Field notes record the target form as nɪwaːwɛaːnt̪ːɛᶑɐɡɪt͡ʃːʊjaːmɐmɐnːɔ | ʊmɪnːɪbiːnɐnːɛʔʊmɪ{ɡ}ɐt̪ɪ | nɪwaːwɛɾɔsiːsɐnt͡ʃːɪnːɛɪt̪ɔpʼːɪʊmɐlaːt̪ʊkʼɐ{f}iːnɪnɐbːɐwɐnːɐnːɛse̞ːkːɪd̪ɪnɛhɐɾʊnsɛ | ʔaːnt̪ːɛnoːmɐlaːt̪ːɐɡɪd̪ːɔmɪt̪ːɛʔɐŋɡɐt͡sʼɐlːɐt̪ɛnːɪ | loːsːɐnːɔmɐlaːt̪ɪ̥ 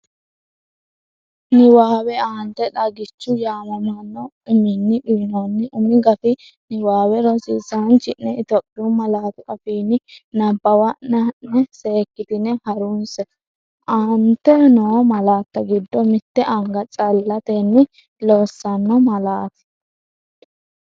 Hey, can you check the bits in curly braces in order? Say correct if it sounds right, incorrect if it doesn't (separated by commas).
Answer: correct, correct